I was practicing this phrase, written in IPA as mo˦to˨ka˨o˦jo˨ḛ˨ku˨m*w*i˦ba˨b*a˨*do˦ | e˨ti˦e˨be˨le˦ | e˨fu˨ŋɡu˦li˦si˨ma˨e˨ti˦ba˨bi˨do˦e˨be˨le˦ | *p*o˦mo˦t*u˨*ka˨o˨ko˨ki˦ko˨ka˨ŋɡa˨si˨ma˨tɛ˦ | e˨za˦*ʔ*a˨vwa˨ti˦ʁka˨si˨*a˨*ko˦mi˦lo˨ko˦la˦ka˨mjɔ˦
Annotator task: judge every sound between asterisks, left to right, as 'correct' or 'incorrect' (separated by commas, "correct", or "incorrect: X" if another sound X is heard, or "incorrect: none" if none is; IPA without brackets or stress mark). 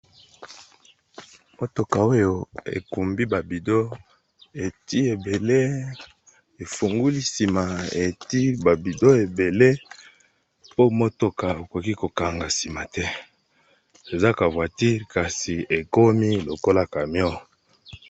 incorrect: b, incorrect: i˨, correct, incorrect: o˨, incorrect: k, incorrect: e˨